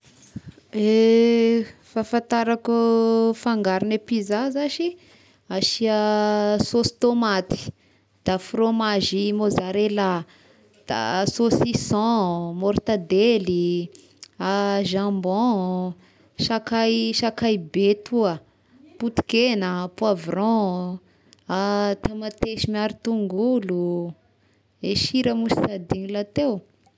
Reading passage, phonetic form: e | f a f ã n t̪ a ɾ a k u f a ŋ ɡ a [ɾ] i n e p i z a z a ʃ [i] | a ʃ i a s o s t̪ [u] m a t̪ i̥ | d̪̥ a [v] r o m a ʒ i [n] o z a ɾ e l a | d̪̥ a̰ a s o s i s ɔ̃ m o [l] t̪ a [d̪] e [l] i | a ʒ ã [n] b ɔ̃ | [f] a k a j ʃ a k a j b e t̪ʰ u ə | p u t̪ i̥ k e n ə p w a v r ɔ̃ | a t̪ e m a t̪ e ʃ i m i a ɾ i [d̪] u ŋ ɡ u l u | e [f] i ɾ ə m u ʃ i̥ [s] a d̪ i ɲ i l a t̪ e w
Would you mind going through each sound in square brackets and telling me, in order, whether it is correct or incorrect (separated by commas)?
correct, correct, incorrect, incorrect, incorrect, incorrect, correct, correct, incorrect, incorrect, incorrect, incorrect, correct